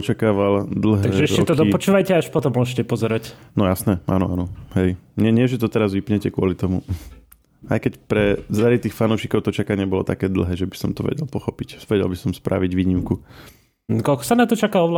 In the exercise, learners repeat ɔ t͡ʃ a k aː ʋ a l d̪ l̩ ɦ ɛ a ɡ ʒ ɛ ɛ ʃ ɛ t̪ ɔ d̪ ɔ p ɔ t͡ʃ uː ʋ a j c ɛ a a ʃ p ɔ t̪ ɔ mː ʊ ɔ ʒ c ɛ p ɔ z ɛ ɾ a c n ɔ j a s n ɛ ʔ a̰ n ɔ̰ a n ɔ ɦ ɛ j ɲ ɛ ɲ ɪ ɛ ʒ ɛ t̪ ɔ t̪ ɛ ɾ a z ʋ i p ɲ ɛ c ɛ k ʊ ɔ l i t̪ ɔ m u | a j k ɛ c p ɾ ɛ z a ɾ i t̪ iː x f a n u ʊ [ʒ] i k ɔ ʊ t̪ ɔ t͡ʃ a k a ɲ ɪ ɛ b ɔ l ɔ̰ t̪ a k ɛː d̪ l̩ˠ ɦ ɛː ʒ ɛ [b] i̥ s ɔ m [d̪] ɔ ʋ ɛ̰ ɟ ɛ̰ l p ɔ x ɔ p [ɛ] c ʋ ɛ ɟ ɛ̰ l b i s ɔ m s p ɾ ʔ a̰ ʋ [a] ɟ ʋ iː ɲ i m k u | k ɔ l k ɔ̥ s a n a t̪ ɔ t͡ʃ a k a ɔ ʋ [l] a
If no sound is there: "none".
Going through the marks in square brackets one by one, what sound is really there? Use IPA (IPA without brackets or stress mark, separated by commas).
ʃ, b, t̪, i, i, l